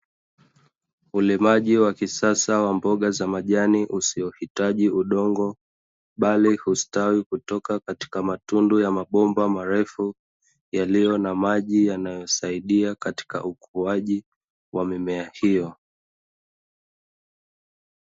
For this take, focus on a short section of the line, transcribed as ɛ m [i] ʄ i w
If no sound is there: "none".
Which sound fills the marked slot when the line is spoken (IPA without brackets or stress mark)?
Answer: a